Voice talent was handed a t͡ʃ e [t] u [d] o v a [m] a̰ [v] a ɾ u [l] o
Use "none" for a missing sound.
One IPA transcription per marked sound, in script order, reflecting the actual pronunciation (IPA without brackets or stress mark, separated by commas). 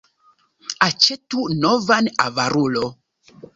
t, n, n, v, l